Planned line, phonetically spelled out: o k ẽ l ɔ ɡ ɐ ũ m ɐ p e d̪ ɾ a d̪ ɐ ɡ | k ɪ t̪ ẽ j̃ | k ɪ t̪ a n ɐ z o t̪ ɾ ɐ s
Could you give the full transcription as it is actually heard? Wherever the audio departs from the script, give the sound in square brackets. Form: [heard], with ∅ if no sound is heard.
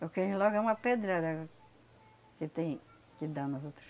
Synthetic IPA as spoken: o k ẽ l ɔ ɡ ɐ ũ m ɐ p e d̪ ɾ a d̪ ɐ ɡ | k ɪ t̪ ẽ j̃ | k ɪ [d̪] a n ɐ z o t̪ ɾ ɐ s